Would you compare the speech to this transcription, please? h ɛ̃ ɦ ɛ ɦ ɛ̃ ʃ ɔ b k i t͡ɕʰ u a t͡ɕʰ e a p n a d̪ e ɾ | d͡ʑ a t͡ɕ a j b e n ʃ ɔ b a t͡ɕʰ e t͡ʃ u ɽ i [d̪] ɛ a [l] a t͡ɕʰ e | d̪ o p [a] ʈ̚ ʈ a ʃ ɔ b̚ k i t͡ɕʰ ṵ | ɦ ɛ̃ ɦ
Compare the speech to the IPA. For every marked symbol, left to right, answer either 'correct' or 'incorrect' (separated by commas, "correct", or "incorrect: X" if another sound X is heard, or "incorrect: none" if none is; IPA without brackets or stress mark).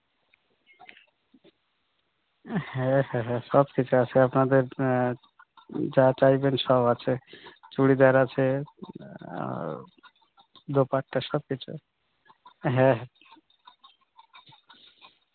correct, incorrect: ɾ, correct